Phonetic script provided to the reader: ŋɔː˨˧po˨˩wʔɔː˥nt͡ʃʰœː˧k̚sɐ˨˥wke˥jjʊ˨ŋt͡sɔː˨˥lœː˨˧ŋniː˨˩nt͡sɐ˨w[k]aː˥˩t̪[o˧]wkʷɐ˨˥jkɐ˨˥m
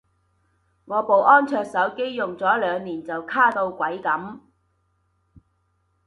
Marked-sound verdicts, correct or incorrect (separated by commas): incorrect, correct